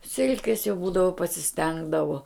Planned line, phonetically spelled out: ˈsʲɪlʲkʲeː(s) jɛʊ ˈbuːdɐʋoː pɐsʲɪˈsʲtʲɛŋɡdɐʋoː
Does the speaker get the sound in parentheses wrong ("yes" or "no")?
no